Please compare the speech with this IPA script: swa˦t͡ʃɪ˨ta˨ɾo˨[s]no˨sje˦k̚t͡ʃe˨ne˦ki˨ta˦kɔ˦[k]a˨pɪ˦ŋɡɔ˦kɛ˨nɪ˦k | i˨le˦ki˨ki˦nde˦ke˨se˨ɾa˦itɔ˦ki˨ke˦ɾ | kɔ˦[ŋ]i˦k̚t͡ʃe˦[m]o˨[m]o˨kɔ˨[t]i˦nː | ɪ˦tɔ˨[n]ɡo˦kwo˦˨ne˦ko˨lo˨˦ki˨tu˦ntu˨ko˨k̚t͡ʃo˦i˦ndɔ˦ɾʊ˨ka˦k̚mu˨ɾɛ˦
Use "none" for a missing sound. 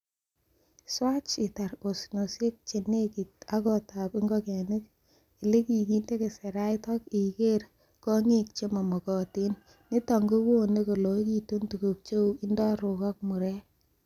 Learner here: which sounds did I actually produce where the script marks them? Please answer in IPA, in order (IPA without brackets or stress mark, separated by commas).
s, t, ŋ, m, m, t, ŋ